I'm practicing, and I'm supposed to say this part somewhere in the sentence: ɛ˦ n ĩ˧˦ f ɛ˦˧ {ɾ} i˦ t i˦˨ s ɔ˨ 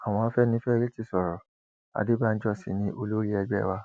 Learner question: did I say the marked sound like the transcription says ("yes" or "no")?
yes